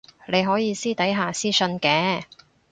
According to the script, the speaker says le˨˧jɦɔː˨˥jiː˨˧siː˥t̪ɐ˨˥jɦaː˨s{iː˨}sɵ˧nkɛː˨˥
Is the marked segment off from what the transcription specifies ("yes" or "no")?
yes